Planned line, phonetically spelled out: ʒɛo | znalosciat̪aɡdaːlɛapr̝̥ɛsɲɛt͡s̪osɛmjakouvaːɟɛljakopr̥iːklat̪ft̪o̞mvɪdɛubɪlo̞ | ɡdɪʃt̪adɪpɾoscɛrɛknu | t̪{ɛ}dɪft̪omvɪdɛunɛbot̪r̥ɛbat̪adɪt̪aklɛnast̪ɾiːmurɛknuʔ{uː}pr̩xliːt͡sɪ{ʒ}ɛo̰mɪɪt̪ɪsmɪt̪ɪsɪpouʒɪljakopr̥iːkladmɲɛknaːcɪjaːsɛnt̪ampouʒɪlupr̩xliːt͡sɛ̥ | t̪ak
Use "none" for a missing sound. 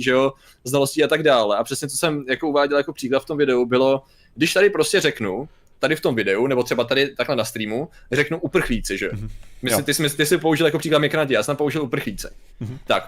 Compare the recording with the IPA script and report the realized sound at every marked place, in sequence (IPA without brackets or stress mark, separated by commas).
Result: a, u, ʒ